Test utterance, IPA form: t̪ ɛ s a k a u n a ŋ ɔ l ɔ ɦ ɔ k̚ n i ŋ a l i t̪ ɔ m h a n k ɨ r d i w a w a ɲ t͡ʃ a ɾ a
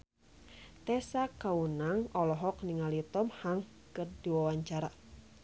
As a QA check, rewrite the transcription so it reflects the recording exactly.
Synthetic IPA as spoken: t̪ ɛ s a k a u n a ŋ ɔ l ɔ ɦ ɔ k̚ n i ŋ a l i t̪ ɔ m h a ŋ k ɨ r d i w a w a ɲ t͡ʃ a ɾ a